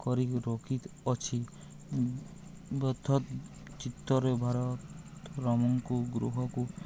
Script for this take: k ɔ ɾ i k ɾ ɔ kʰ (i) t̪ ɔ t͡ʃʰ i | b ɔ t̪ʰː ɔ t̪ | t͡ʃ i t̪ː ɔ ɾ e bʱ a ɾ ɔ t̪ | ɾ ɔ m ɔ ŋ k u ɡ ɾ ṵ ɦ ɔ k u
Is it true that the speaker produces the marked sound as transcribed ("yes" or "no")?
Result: yes